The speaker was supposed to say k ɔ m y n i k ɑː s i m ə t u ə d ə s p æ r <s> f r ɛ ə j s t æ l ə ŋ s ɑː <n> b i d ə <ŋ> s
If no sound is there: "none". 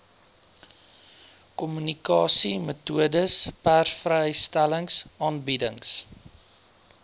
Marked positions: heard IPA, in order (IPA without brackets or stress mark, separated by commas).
s, n, ŋ